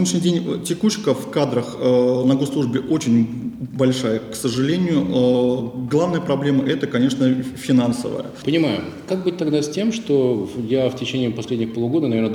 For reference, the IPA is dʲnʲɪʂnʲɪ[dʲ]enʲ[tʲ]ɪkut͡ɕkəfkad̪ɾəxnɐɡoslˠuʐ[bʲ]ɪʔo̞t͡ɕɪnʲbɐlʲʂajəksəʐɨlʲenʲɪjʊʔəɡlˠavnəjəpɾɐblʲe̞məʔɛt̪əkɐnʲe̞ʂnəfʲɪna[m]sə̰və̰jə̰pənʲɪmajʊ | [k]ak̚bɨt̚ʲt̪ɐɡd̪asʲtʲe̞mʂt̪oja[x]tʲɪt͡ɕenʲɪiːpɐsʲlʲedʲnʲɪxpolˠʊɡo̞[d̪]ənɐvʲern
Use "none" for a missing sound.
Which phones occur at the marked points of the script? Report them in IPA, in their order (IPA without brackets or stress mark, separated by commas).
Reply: dʲ, tʲ, bʲ, n, k, f, d̪